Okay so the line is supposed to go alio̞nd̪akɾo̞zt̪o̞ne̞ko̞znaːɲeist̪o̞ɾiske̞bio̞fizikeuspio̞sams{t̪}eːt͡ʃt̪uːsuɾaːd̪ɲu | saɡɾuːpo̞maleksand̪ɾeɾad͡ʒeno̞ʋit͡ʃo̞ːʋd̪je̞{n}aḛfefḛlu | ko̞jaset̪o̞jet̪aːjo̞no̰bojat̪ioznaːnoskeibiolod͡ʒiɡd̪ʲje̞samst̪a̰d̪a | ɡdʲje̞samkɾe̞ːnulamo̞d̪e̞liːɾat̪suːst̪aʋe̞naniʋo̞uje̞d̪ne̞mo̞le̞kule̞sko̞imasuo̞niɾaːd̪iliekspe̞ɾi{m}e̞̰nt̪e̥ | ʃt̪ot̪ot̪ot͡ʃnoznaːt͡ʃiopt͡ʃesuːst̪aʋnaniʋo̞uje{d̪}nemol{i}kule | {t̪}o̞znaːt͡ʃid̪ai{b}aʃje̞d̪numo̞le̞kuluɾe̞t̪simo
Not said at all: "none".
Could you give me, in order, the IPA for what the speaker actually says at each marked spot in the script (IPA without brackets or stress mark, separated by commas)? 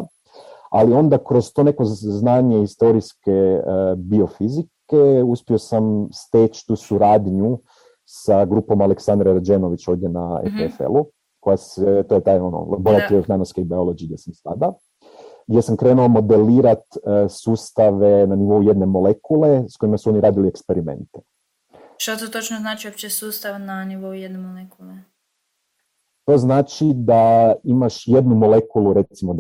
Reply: t̪, n, m, d̪, e, t̪, m